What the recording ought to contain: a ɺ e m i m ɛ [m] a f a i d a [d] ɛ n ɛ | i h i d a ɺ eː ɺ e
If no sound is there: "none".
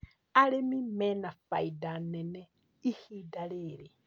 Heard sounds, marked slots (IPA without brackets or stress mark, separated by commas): n, n